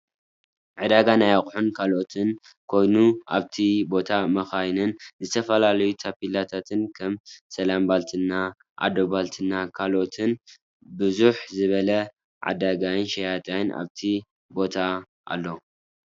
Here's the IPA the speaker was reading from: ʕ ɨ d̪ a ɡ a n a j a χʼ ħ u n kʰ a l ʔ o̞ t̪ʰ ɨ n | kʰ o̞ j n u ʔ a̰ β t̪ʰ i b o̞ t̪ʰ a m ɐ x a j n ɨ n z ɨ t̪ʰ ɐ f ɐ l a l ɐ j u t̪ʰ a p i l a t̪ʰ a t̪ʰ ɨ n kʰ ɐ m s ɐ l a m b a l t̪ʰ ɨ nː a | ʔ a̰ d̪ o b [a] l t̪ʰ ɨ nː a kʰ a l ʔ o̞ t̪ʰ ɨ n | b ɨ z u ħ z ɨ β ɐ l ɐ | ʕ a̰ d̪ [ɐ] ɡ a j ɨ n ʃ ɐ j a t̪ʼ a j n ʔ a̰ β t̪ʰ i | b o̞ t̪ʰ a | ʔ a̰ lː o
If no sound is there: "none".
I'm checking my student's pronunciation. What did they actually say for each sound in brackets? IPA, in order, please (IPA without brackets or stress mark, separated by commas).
a, a